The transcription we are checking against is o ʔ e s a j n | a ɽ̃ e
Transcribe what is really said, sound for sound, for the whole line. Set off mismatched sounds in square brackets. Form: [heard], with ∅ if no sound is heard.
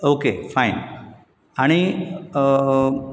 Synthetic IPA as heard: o [k] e [f] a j n | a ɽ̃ [i]